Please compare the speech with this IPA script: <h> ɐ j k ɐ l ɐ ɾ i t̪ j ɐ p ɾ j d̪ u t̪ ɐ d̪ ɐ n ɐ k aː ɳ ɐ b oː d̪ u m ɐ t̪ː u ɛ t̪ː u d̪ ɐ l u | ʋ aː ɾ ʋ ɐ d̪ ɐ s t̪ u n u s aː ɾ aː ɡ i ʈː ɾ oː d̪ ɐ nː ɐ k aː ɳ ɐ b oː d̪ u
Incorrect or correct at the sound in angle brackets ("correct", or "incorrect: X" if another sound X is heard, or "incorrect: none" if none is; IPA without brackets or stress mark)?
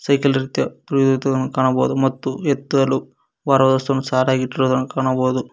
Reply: incorrect: s